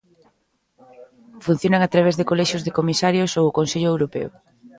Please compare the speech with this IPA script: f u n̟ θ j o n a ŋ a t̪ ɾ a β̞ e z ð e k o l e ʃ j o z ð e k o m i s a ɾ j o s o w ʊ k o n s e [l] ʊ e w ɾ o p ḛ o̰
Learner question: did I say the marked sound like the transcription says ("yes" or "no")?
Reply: no